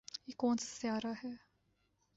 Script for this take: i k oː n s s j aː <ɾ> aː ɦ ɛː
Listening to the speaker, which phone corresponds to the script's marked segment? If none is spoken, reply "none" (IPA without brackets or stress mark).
ɾ